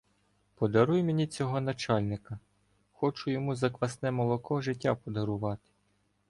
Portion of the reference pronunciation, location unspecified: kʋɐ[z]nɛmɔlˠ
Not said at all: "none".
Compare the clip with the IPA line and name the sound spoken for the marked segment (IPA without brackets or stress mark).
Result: s